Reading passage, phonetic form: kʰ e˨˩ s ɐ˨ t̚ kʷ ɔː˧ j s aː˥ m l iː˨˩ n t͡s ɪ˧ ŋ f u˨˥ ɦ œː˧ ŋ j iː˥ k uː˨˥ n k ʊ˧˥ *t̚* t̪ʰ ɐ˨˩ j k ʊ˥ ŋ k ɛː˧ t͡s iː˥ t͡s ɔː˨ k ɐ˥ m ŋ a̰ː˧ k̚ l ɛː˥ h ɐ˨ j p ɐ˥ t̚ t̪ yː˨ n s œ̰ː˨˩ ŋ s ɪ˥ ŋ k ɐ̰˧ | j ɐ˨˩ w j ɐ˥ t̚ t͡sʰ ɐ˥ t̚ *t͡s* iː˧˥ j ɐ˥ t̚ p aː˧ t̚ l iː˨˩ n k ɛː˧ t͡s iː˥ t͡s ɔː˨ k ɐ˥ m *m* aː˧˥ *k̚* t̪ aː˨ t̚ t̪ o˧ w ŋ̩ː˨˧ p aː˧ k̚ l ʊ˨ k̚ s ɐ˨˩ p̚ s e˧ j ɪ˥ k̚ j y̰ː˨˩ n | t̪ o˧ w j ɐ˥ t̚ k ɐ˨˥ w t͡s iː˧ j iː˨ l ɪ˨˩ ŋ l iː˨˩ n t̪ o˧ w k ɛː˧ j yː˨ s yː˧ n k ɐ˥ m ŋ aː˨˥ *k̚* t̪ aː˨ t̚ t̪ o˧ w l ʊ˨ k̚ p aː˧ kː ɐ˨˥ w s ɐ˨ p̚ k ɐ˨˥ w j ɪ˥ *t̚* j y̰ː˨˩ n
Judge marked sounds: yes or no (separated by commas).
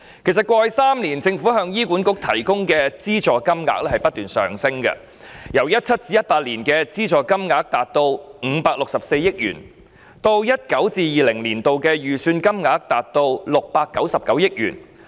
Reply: no, yes, no, yes, yes, no